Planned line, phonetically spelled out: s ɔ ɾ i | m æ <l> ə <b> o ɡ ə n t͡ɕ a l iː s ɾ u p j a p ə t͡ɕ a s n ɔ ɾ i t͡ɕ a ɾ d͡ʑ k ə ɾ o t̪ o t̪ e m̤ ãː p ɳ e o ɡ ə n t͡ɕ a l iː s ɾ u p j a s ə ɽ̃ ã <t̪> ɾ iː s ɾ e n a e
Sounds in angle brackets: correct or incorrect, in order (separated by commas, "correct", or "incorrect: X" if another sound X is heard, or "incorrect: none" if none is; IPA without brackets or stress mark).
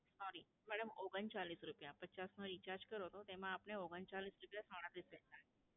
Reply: incorrect: ɽ, incorrect: m, correct